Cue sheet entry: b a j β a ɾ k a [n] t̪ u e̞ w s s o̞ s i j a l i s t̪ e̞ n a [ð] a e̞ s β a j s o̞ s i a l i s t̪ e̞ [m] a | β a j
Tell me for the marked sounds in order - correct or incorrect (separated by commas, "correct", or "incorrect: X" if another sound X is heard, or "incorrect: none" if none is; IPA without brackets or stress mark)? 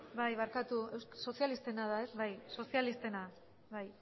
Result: incorrect: none, correct, incorrect: n